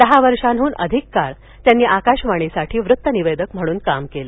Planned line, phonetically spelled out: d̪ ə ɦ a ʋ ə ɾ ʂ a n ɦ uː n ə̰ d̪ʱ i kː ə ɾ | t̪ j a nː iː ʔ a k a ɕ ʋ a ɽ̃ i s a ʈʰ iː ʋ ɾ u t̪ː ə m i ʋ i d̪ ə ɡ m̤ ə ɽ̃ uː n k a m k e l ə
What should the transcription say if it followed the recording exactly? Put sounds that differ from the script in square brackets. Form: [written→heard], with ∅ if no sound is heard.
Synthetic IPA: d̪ ə ɦ a ʋ ə ɾ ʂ a n ɦ uː n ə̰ d̪ʱ i kː [ə→a] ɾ | t̪ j a nː iː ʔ a k a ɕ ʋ a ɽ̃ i s a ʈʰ iː ʋ ɾ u t̪ː ə [m→n] i ʋ [i→e] d̪ ə [ɡ→k] m̤ ə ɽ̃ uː n k a m k e l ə